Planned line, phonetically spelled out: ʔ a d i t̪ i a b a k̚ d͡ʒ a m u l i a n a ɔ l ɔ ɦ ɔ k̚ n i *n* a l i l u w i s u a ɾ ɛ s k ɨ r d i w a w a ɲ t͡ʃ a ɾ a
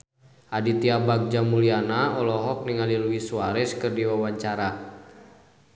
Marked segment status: incorrect: ŋ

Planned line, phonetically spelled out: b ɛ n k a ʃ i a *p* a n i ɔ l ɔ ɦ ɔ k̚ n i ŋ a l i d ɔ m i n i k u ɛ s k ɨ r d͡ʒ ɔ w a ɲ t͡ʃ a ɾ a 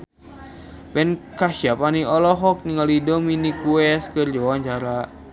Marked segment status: correct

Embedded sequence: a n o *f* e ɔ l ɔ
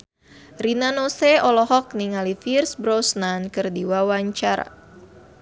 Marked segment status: incorrect: s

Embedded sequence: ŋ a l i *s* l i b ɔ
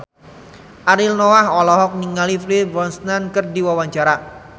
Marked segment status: incorrect: f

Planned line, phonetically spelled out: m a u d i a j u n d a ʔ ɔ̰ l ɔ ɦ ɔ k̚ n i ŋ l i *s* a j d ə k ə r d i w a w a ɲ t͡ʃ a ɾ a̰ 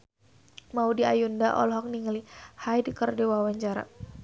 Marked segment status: incorrect: h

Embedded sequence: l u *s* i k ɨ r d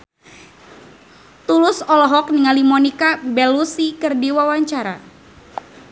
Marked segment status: correct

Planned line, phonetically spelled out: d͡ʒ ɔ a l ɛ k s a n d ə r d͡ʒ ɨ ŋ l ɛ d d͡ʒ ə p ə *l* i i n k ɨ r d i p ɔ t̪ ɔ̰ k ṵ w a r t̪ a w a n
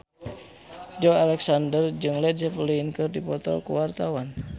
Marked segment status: correct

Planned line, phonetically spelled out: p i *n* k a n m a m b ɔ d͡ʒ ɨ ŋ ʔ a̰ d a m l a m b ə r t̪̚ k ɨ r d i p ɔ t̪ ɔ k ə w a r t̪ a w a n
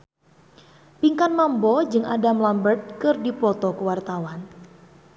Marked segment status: incorrect: ŋ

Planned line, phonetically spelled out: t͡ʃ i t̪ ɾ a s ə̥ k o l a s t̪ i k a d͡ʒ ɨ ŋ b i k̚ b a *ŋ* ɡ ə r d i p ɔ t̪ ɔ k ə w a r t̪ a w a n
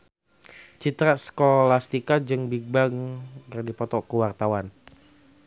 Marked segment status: correct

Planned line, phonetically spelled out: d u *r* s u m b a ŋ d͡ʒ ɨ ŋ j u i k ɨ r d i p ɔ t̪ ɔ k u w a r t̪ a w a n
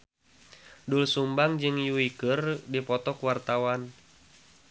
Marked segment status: incorrect: l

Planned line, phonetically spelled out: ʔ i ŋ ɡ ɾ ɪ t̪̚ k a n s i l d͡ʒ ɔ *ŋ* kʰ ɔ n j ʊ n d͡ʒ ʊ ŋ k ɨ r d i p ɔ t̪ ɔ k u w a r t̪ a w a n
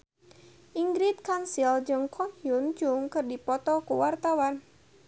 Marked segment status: correct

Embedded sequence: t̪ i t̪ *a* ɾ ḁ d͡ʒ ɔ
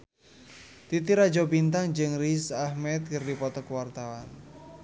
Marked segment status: incorrect: i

